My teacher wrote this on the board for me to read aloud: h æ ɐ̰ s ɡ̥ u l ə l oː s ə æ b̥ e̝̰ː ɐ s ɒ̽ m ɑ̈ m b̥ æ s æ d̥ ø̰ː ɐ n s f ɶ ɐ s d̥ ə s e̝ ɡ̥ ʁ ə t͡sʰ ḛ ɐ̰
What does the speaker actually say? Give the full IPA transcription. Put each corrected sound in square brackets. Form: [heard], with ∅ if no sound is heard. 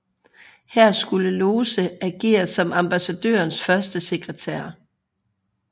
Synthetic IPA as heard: h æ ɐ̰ s ɡ̥ u l ə l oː s ə æ [ɡ̥] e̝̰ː ɐ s ɒ̽ m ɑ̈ m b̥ æ s æ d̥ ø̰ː ɐ n s f ɶ ɐ s d̥ ə s e̝ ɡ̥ ʁ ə t͡sʰ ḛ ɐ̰